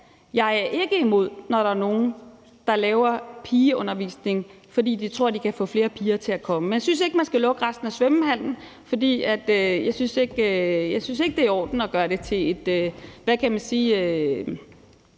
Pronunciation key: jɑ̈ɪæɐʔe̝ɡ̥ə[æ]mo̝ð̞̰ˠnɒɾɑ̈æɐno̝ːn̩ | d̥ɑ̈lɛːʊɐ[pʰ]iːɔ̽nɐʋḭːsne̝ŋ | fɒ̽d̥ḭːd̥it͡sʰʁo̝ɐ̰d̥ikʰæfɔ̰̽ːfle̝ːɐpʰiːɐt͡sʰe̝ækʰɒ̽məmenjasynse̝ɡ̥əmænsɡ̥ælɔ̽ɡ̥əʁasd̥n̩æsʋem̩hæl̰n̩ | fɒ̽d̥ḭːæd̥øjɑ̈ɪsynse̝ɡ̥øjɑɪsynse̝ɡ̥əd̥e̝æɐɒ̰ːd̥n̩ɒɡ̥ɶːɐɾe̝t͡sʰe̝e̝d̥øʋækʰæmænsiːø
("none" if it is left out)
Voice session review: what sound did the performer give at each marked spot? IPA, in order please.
i, pʰ

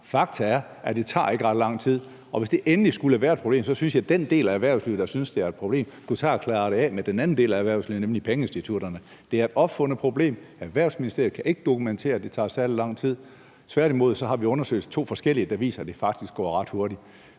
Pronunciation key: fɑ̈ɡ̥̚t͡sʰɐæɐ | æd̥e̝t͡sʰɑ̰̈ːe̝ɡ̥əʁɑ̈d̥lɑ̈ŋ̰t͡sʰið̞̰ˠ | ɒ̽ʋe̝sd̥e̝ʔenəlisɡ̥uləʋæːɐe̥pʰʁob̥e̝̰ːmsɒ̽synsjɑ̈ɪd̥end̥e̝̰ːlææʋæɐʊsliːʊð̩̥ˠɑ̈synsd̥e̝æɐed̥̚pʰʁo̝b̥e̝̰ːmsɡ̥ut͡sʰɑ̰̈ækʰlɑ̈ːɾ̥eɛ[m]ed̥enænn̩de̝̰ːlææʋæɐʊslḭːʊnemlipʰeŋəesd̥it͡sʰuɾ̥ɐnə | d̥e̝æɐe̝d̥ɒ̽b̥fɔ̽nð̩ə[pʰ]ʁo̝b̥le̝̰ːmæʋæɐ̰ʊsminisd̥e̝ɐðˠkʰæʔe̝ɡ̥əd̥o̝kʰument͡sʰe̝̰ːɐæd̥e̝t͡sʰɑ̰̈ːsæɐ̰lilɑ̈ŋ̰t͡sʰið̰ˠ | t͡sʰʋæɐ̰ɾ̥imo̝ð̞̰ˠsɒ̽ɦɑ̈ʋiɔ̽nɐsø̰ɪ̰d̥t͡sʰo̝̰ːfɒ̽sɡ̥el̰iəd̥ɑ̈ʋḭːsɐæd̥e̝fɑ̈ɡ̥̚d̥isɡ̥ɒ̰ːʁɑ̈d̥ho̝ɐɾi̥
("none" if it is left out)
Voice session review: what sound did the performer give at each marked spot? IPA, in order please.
m, pʰ

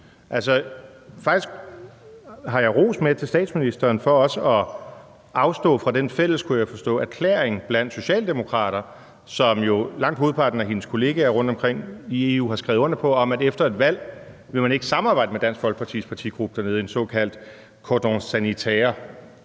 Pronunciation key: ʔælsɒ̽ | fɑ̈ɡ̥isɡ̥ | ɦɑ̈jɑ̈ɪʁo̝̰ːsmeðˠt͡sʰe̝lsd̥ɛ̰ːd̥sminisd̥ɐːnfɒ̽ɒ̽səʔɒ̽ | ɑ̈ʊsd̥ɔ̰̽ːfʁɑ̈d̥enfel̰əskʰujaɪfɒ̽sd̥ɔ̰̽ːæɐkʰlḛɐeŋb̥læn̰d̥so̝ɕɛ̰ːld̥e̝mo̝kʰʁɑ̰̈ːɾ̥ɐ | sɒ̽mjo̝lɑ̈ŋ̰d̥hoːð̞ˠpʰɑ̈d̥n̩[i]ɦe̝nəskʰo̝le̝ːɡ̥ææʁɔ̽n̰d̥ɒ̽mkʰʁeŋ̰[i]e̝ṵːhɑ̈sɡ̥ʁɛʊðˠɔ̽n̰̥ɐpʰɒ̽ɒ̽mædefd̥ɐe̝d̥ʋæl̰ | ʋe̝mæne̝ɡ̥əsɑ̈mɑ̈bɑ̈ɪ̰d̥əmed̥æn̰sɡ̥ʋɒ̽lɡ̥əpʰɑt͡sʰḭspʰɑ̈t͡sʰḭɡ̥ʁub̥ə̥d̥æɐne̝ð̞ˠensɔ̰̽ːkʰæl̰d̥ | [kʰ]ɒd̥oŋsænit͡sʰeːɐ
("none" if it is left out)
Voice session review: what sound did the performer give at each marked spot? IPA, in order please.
æ, i, kʰ

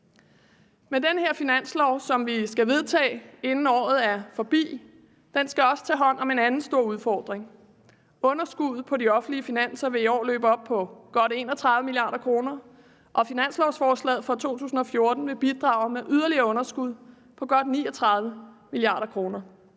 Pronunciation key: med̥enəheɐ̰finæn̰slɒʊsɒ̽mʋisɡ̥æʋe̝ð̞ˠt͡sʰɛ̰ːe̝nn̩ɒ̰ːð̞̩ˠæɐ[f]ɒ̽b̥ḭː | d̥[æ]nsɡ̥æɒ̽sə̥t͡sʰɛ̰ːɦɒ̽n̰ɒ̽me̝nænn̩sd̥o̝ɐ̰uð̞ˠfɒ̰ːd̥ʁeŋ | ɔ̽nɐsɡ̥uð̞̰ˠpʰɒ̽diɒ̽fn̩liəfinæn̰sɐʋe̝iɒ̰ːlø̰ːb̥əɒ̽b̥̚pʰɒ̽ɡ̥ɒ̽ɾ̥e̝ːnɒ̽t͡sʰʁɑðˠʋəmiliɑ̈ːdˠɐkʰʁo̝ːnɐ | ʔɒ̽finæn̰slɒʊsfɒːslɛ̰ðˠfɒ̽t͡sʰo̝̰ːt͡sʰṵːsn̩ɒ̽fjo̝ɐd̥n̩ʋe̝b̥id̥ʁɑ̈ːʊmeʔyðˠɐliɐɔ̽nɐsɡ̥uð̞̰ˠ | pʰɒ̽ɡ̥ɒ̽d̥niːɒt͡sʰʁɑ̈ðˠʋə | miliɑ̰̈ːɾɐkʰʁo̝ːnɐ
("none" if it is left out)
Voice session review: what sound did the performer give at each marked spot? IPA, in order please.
f, e

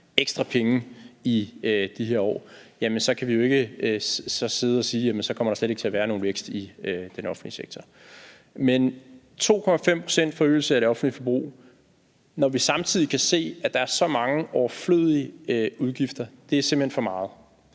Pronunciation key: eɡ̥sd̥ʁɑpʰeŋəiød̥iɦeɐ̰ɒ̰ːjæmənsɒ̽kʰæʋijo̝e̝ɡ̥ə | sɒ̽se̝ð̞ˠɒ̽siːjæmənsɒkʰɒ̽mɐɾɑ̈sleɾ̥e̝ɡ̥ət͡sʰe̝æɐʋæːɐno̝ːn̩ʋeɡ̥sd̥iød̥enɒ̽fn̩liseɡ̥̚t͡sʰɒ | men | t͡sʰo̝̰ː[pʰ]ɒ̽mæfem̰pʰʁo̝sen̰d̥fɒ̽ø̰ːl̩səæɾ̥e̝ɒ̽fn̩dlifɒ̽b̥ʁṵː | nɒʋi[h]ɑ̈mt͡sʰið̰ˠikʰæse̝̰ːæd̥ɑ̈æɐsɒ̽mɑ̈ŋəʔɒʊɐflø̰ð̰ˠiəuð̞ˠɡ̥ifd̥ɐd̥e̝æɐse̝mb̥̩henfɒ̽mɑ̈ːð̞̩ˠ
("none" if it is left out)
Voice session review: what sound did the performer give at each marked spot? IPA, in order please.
kʰ, s

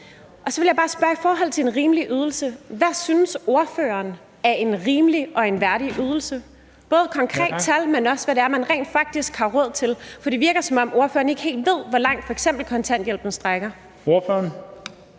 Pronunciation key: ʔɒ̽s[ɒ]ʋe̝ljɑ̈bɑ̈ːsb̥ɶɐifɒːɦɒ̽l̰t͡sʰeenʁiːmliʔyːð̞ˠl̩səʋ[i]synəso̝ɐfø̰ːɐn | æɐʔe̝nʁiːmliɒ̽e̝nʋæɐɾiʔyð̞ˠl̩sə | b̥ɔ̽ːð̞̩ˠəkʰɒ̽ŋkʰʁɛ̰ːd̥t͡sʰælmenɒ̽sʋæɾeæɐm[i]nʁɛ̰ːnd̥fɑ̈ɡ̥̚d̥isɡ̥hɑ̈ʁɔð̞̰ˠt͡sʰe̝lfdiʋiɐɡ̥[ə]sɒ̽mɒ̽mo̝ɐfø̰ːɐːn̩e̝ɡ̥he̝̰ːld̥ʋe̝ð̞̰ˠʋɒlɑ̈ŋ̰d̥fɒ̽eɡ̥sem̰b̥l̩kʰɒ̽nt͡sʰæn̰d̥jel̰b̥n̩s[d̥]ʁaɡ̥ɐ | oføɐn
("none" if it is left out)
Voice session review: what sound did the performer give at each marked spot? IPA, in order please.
ɒ, æ, æ, ɐ, d̥

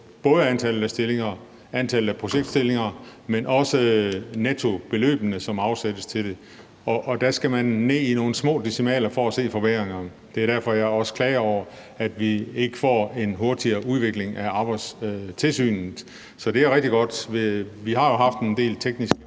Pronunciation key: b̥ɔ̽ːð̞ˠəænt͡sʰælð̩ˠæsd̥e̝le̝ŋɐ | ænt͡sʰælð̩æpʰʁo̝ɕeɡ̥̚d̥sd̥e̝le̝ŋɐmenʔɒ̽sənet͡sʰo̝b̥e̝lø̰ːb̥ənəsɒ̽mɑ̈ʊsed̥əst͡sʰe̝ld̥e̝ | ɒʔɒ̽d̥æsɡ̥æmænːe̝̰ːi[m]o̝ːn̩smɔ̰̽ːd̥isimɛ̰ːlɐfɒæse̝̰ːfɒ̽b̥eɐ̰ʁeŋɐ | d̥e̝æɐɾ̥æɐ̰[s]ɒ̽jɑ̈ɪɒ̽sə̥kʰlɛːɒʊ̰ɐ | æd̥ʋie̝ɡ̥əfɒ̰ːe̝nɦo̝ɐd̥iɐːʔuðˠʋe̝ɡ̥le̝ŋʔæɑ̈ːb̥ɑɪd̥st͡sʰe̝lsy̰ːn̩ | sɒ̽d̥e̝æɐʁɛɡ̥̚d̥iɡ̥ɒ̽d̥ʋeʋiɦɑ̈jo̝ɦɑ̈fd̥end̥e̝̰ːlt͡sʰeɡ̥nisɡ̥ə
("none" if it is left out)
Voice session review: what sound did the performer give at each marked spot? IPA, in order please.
n, f

